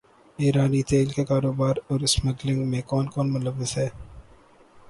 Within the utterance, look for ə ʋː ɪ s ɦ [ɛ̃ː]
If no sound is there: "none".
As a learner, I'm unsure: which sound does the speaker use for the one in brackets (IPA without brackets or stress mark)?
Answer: ɛː